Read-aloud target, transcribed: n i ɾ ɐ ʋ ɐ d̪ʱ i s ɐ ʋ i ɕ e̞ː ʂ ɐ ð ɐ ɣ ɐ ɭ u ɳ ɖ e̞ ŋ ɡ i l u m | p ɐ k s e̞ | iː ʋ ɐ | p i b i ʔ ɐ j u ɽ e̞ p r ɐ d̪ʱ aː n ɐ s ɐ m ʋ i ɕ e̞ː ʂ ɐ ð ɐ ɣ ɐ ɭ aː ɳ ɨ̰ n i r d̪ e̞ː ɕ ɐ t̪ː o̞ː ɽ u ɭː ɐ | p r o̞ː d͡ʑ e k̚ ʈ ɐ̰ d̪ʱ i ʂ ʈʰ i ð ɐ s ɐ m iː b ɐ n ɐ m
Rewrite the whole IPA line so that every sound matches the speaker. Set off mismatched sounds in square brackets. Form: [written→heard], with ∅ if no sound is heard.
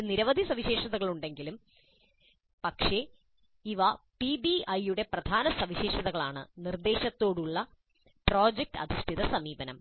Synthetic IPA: n i ɾ ɐ ʋ ɐ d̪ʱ i s ɐ ʋ i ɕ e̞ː ʂ ɐ ð ɐ ɣ ɐ ɭ u ɳ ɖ e̞ ŋ ɡ i l u m | p ɐ k [s→ʂ] e̞ | [iː→i] ʋ ɐ | p i b i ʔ ɐ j u ɽ e̞ p r ɐ d̪ʱ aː n ɐ s ɐ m ʋ i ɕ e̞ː ʂ ɐ ð ɐ ɣ ɐ ɭ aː ɳ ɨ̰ n i r d̪ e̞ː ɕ ɐ t̪ː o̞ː ɽ u ɭː ɐ | p r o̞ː d͡ʑ e k̚ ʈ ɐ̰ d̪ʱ i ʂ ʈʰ i ð ɐ s ɐ m iː b ɐ n ɐ m